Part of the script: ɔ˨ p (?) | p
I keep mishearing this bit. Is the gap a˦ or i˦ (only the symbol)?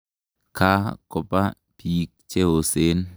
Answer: a˦